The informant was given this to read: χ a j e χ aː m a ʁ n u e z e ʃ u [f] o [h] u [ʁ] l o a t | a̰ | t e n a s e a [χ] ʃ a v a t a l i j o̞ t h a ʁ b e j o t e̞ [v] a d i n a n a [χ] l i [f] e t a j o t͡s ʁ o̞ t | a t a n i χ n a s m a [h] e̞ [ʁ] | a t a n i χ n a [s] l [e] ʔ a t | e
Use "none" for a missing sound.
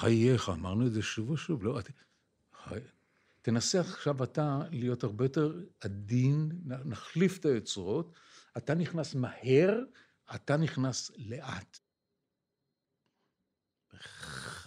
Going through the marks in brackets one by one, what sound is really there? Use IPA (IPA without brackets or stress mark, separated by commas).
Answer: v, ʃ, v, χ, ʁ, χ, f, h, ʁ, s, e